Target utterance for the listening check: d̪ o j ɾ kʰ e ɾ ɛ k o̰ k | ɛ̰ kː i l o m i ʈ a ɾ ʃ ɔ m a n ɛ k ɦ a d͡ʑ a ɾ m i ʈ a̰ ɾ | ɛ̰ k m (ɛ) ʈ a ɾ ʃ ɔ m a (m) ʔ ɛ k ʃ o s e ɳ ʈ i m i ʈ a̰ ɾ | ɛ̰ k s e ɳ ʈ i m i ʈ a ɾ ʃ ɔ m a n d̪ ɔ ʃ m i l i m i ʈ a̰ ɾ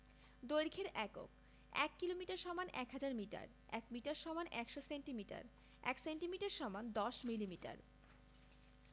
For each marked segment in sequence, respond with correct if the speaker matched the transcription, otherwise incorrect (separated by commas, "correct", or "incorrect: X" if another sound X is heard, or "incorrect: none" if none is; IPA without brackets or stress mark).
incorrect: i, incorrect: n